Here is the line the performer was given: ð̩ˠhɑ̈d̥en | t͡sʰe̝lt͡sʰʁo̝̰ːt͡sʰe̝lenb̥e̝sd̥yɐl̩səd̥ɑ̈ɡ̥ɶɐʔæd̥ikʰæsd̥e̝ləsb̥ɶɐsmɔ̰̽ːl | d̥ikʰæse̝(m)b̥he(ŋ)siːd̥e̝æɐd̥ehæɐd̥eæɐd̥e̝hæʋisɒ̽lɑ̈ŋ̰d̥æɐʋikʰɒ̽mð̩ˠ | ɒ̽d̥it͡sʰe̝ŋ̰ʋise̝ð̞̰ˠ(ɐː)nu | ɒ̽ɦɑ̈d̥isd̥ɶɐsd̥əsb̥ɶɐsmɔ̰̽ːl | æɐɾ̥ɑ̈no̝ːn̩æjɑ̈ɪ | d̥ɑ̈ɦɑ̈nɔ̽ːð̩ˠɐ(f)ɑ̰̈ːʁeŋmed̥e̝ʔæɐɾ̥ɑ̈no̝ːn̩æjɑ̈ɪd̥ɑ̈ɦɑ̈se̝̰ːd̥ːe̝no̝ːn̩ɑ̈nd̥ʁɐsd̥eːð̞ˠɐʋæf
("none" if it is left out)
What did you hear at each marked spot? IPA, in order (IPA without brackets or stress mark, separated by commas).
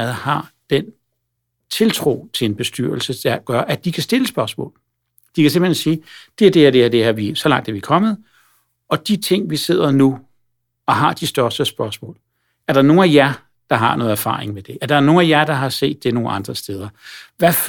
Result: m, n, ɐ, f